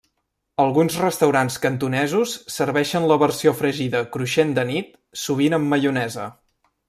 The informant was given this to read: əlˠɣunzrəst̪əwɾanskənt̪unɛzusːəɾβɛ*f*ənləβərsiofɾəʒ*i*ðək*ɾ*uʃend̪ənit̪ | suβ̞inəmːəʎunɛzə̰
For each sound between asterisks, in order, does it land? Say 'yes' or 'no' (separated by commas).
no, yes, yes